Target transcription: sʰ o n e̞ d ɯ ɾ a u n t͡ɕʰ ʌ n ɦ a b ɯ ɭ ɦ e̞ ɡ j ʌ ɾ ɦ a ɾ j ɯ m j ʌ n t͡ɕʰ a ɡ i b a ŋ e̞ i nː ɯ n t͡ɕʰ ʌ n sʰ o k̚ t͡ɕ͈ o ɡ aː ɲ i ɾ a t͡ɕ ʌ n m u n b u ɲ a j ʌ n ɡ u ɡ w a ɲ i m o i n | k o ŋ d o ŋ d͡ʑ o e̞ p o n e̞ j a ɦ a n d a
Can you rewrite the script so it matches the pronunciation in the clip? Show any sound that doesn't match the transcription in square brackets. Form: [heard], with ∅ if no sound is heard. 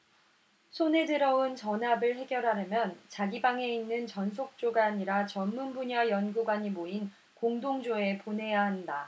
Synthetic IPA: sʰ o n e̞ d ɯ ɾ [ʌ] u n [t͡ɕ] ʌ n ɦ a b ɯ ɭ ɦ e̞ ɡ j ʌ ɾ ɦ a ɾ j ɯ m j ʌ n [t͡ɕ] a ɡ i b a ŋ e̞ i nː ɯ n [t͡ɕ] ʌ n sʰ o k̚ t͡ɕ͈ o ɡ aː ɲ i ɾ a t͡ɕ ʌ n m u n b u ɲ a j ʌ n ɡ u ɡ w a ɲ i m o i n | k o ŋ d o ŋ d͡ʑ o e̞ p o n e̞ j a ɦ a n d a